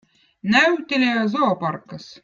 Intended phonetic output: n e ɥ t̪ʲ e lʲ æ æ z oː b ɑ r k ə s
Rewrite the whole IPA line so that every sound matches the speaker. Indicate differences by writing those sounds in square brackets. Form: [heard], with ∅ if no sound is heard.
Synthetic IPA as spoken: n [æ] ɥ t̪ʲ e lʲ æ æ z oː [p] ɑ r k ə s